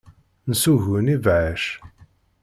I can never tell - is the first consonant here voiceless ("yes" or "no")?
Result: no